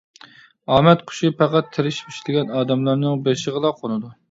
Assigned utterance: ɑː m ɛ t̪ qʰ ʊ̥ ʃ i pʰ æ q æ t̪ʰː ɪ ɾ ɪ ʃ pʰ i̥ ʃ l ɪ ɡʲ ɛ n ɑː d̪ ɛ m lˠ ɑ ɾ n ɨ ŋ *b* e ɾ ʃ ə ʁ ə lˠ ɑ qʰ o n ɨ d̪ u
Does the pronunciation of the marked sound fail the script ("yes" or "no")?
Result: no